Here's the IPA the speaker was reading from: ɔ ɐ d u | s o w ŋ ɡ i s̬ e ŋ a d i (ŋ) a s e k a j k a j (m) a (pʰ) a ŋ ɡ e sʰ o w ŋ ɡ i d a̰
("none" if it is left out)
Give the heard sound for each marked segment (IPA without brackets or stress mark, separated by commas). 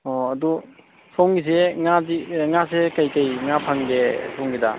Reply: ŋ, ŋ, pʰ